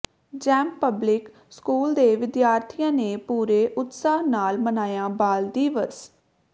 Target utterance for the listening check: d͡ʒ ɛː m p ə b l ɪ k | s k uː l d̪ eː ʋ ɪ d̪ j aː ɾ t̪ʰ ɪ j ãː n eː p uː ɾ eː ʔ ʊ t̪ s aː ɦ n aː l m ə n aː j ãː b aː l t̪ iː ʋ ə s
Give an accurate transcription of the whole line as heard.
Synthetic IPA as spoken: d͡ʒ ɛː m p ə b l ɪ k | s k uː l d̪ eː ʋ ɪ d̪ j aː ɾ t̪ʰ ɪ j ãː n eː p uː ɾ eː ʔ ʊ t̪ s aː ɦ n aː l m ə n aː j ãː b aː l d̪ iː ʋ ə s